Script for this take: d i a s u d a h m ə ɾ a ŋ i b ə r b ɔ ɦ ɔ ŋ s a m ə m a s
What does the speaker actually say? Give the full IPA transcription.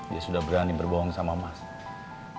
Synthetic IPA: d i a s u d a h b ə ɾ a n i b ə r b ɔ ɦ ɔ ŋ s a m a m a s